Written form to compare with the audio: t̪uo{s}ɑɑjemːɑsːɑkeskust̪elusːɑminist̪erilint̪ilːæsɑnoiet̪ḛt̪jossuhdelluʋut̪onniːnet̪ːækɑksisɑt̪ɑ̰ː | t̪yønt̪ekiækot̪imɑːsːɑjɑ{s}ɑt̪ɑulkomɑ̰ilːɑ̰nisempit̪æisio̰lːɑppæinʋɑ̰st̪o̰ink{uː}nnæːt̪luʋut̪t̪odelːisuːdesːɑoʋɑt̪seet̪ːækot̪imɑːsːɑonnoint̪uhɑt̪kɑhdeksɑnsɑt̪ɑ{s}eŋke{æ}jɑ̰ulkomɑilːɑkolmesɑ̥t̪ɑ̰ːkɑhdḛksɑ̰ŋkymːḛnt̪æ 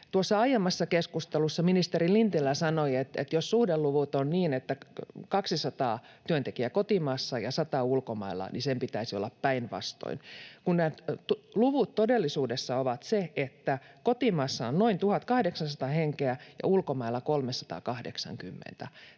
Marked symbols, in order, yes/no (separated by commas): no, yes, no, no, yes